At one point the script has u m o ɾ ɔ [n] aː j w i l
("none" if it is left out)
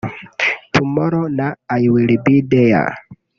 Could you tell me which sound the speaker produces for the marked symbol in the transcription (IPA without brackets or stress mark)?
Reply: n